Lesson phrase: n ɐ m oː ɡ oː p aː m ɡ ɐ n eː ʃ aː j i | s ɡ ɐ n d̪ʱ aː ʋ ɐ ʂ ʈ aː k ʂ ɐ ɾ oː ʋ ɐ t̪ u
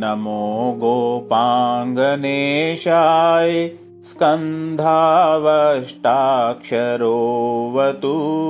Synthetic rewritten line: n ɐ m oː ɡ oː p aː ŋ ɡ ɐ n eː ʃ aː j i | s k ɐ n d̪ʱ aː ʋ ɐ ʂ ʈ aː k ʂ ɐ ɾ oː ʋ ɐ t̪ u